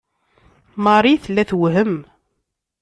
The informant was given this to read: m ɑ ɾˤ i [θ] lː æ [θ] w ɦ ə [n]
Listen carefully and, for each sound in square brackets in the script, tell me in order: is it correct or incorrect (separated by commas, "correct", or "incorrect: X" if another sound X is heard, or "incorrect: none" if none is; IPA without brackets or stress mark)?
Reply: correct, correct, incorrect: m